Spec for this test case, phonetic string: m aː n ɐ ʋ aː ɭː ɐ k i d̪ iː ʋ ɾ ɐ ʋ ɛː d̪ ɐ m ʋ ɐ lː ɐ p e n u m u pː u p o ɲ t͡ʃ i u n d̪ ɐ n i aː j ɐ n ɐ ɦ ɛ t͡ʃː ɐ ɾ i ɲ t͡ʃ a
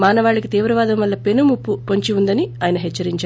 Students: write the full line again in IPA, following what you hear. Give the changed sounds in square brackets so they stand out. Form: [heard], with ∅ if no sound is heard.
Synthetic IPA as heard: m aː n ɐ ʋ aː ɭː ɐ k i [t̪] iː ʋ ɾ ɐ ʋ [aː] d̪ ɐ m ʋ ɐ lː ɐ p e n u m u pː u p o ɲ t͡ʃ i u n d̪ ɐ n i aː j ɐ n ɐ ɦ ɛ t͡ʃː ɐ ɾ i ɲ t͡ʃ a